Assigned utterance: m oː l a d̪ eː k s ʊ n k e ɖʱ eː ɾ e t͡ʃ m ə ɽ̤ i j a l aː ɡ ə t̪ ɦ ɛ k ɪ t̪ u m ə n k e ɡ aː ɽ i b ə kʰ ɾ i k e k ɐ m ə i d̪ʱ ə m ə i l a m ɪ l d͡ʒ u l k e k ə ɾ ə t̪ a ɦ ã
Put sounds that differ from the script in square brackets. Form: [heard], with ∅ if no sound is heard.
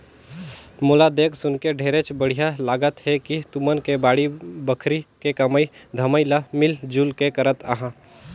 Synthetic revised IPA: m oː l a d̪ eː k s ʊ n k e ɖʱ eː ɾ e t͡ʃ [b] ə ɽ̤ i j a l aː ɡ ə t̪ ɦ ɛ k [i] t̪ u m ə n k e [b] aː ɽ i b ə kʰ ɾ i k e k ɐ m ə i d̪ʱ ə m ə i l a m ɪ l d͡ʒ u l k e k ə ɾ ə t̪ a ɦ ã